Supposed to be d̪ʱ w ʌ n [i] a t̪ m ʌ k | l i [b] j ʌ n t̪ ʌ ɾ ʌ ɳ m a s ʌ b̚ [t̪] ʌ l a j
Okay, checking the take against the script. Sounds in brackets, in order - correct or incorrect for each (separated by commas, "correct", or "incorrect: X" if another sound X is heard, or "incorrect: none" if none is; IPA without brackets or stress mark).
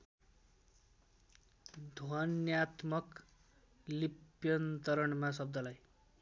incorrect: j, incorrect: p, incorrect: d̪